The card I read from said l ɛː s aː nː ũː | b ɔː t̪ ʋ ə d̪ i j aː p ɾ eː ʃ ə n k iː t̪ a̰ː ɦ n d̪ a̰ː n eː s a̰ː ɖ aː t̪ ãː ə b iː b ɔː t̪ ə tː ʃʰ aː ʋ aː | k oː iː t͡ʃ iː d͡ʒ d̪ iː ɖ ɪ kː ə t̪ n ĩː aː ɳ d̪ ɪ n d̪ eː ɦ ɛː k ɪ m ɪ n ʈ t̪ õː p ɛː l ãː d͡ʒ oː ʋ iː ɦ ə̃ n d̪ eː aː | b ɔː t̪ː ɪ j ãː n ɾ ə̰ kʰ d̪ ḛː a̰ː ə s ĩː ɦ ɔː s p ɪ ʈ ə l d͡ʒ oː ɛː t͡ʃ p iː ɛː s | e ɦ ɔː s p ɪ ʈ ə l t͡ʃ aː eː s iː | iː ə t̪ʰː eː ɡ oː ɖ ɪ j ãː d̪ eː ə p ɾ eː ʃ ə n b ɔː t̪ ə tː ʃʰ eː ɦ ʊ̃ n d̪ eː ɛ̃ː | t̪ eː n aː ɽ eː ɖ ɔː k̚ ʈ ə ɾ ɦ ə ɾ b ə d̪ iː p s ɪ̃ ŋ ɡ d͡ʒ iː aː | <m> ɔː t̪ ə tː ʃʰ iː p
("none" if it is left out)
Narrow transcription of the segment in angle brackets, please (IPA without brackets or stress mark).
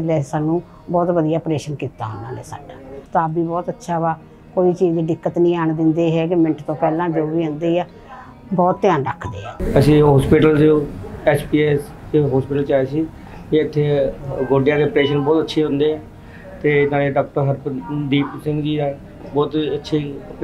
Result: b